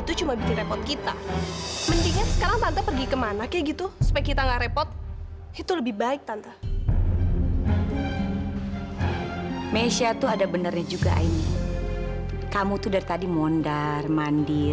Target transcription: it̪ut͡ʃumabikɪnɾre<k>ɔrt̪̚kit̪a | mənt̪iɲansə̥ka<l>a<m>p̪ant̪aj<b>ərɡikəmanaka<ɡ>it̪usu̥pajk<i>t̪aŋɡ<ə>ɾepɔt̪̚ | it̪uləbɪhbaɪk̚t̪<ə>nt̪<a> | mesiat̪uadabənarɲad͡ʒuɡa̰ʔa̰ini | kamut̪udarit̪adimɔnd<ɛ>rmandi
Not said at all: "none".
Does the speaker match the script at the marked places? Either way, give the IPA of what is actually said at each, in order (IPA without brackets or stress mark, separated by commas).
p, ɾ, ŋ, p, ɡ, i, a, a, a, a